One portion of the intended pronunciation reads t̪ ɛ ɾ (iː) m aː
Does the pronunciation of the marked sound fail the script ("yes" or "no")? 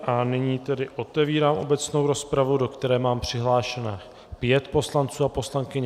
yes